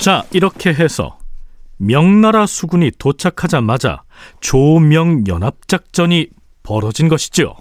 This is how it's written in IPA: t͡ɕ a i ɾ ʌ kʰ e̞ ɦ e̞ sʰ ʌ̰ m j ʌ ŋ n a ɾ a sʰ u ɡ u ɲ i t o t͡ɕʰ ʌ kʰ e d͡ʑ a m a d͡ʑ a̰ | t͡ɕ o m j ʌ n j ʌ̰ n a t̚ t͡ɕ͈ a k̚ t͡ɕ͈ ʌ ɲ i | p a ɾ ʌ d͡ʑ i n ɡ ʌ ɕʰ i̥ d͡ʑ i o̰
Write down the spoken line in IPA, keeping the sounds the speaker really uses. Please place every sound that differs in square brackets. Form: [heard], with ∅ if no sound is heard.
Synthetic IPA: t͡ɕ a i ɾ ʌ kʰ e̞ ɦ e̞ sʰ ʌ̰ m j ʌ ŋ n a ɾ a sʰ u ɡ u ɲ i t o t͡ɕʰ [a] kʰ [a] d͡ʑ a m a d͡ʑ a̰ | t͡ɕ o m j ʌ [ŋ] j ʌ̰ n a [p̚] t͡ɕ͈ a k̚ t͡ɕ͈ ʌ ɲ i | p [ʌ] ɾ ʌ d͡ʑ i n ɡ ʌ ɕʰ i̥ d͡ʑ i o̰